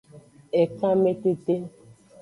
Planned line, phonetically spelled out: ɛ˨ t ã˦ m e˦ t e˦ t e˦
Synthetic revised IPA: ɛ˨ k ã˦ m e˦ t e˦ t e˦